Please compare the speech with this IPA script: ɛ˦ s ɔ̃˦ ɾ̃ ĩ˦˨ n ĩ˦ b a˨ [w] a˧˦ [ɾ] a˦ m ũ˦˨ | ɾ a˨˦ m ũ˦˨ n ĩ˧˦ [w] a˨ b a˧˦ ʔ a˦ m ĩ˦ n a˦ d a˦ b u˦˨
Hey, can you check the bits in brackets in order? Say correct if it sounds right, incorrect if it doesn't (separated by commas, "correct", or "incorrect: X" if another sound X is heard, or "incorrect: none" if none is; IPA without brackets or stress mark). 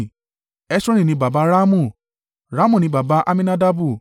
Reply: incorrect: b, correct, incorrect: b